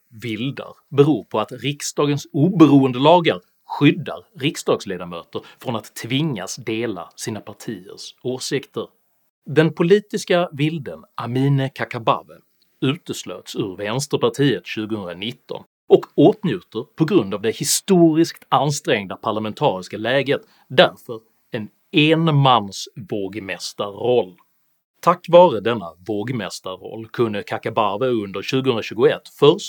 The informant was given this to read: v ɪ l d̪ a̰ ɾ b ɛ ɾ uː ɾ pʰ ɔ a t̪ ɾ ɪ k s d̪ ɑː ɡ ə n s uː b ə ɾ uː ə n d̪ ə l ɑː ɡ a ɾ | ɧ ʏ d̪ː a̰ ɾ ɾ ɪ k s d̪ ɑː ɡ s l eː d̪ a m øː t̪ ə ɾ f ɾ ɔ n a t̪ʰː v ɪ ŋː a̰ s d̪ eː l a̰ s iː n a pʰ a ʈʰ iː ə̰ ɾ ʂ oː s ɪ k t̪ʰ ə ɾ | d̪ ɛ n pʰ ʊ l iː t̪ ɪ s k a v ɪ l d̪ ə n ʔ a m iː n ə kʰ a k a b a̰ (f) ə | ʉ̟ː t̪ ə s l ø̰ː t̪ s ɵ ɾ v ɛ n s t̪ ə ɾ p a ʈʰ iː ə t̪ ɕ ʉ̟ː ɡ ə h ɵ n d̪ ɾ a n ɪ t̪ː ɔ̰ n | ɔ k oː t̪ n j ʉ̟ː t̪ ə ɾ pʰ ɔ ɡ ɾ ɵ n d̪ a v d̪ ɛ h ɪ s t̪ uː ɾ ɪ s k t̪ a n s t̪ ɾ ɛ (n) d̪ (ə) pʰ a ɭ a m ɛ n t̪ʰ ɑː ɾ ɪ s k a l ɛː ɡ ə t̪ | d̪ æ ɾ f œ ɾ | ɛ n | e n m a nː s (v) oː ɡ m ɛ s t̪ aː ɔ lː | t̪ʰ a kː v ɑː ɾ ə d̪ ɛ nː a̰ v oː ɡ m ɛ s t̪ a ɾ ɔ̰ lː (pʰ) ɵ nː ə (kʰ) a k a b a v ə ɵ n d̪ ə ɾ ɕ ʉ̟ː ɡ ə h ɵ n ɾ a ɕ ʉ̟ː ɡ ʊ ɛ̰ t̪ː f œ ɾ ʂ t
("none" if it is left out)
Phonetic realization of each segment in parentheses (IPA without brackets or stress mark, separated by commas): v, ŋ, a, v, kʰ, kʰ